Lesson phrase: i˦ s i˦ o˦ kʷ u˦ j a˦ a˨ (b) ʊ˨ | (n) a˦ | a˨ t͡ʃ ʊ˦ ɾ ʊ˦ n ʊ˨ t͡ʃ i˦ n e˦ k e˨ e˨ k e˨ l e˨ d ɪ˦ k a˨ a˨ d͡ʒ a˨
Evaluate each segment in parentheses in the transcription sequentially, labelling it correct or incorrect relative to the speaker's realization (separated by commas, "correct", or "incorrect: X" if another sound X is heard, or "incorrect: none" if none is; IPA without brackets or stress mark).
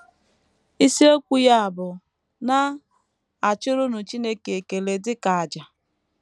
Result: correct, correct